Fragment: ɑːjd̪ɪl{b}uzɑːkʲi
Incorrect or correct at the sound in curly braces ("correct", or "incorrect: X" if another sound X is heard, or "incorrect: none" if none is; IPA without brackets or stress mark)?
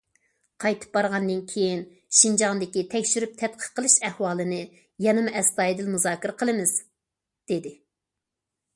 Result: incorrect: m